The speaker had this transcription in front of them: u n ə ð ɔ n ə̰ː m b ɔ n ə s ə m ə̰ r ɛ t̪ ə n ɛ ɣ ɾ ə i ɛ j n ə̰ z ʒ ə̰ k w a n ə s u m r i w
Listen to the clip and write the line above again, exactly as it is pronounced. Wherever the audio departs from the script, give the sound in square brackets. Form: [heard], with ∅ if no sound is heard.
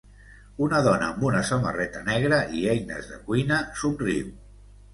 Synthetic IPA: u n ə ð ɔ n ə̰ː m b [u] n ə s ə m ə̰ r ɛ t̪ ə n ɛ ɣ ɾ ə i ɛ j n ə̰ z [ð] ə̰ k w [i] n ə s u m r i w